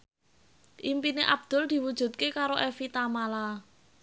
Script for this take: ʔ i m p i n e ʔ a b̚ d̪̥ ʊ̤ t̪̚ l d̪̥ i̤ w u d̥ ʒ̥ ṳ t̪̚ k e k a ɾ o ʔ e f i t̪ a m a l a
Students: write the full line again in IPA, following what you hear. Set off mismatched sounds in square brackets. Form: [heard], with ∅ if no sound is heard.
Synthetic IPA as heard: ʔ i m p i n e ʔ a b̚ d̪̥ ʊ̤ [∅] l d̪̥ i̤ w u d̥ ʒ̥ ṳ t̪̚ k e k a ɾ o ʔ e f i t̪ a m a l a